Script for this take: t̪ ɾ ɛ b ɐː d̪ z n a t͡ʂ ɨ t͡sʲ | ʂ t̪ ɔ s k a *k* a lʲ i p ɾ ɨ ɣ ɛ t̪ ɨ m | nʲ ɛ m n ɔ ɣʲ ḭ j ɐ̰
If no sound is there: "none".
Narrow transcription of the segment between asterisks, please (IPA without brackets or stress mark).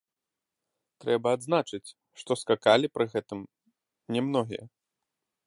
k